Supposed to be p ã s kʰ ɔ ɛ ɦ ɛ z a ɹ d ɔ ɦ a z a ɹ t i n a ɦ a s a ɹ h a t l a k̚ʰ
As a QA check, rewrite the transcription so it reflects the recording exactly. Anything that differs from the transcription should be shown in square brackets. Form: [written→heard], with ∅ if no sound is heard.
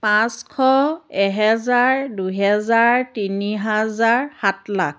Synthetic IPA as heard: p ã s kʰ ɔ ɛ ɦ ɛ z a ɹ d [ɔ→u] ɦ [a→ɛ] z a ɹ t i n [a→i] ɦ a [s→z] a ɹ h a t l a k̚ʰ